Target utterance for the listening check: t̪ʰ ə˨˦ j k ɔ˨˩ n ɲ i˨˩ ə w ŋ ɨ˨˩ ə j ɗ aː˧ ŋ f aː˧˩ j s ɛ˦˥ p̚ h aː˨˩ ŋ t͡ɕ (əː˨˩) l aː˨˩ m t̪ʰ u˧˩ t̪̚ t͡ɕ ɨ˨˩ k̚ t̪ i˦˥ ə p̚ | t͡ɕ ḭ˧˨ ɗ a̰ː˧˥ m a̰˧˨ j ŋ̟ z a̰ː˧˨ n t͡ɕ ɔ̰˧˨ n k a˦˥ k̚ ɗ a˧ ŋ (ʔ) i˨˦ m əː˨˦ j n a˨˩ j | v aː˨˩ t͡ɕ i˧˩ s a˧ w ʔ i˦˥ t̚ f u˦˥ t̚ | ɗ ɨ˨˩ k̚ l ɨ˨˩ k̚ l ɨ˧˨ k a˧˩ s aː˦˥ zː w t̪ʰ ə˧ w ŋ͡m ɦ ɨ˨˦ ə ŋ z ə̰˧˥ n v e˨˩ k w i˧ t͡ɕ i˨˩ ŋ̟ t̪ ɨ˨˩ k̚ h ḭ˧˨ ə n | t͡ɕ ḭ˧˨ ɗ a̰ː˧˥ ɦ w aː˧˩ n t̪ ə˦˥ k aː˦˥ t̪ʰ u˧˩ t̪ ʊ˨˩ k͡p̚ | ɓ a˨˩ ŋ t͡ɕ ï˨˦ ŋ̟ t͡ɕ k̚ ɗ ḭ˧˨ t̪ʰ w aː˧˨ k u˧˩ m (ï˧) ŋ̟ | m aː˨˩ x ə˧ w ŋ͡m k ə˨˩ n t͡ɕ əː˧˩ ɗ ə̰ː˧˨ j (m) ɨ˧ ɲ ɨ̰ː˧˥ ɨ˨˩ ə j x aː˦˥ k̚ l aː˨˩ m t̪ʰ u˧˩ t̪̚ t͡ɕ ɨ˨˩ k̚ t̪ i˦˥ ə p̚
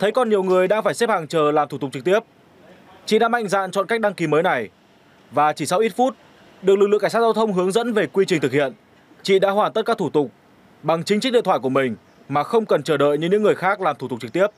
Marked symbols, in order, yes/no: yes, no, no, no

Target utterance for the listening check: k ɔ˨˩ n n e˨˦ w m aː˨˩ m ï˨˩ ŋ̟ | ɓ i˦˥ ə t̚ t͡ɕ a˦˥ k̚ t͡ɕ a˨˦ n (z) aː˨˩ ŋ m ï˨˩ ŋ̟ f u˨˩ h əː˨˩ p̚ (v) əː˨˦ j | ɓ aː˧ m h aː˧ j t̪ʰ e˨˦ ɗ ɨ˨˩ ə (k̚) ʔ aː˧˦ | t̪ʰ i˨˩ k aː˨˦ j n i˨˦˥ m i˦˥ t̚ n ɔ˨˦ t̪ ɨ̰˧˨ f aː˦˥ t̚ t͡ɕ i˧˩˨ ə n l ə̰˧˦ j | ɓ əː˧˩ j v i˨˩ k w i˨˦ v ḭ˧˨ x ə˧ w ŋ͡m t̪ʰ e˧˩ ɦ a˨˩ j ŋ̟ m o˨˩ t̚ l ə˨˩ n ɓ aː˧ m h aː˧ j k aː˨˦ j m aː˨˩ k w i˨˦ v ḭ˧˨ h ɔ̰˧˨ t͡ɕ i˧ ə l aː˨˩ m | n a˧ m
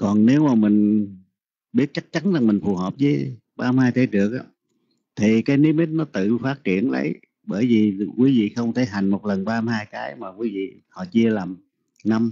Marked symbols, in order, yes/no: yes, no, yes

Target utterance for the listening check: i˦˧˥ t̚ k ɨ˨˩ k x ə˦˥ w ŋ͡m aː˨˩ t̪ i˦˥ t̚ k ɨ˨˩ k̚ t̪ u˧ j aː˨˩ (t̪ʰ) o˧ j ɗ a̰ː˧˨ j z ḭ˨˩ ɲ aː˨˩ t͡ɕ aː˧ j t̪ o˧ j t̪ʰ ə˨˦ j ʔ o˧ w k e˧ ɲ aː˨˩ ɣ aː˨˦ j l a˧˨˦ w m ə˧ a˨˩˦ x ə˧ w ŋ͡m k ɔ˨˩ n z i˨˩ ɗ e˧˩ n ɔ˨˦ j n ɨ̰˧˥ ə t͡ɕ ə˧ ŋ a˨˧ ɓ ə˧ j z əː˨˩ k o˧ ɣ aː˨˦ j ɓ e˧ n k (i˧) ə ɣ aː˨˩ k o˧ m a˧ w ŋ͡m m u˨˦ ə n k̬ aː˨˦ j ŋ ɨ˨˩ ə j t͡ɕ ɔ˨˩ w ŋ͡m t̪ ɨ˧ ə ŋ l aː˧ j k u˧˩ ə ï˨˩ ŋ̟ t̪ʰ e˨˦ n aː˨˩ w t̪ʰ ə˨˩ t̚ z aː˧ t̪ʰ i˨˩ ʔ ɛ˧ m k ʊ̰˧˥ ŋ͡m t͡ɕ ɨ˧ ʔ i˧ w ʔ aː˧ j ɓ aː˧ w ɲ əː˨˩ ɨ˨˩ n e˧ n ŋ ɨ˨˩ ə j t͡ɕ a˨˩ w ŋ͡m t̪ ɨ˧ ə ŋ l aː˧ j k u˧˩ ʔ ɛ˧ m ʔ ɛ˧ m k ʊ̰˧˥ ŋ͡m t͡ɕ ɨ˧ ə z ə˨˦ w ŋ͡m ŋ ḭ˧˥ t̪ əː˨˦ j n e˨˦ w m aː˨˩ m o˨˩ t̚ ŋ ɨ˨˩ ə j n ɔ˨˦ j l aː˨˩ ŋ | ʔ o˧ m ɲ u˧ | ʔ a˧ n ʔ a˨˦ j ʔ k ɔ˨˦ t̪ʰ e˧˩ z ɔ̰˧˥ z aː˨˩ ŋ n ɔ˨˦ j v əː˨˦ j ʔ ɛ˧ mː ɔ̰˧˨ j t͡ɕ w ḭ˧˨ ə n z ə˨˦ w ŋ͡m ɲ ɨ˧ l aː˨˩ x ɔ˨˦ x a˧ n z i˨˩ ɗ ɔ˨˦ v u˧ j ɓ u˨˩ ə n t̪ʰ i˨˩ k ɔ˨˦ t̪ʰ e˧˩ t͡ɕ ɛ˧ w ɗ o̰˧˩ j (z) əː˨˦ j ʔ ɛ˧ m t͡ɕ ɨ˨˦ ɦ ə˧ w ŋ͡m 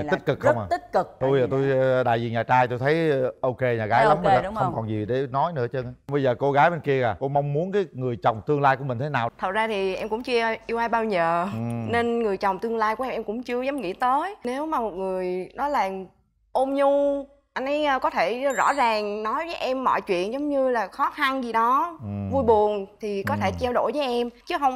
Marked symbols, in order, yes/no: no, yes, no

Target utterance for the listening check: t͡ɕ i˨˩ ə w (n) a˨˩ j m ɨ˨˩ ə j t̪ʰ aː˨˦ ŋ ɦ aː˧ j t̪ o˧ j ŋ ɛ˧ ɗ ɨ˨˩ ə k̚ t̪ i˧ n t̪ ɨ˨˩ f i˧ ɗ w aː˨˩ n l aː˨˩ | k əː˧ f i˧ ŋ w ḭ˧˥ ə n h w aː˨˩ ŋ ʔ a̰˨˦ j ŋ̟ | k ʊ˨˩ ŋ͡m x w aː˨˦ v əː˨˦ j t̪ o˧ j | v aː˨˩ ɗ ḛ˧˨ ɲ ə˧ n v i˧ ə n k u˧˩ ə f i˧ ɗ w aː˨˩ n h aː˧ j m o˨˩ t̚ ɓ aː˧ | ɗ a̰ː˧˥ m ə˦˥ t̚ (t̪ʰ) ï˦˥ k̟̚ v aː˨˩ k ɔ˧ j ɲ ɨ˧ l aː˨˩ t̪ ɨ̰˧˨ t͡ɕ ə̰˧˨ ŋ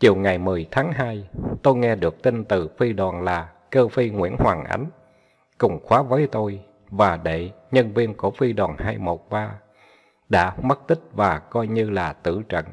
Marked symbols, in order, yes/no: no, no

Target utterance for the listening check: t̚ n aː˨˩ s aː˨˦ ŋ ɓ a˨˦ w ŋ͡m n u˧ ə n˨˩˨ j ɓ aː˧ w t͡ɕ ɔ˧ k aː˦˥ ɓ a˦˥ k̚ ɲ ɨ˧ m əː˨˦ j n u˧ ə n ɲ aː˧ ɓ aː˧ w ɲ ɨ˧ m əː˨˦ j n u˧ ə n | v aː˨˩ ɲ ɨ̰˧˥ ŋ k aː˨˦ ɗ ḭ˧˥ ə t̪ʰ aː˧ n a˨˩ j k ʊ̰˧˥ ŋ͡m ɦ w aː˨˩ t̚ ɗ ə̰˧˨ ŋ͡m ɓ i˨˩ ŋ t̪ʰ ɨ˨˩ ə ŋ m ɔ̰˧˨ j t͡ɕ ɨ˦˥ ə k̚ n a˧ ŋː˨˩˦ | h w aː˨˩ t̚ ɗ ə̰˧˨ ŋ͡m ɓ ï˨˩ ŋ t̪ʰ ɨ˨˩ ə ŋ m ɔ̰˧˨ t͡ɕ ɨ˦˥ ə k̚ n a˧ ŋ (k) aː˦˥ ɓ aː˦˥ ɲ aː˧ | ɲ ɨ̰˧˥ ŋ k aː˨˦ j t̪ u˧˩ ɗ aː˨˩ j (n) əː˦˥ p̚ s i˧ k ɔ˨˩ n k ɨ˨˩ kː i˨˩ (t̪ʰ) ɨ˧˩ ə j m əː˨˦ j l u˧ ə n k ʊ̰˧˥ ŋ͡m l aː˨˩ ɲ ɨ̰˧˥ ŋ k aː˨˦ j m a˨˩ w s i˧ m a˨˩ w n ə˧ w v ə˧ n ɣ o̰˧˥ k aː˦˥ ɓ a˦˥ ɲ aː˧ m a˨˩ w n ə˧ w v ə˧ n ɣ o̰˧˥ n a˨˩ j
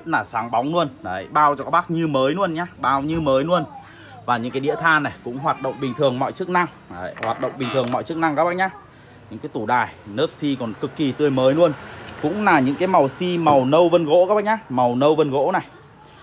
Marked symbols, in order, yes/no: yes, yes, no

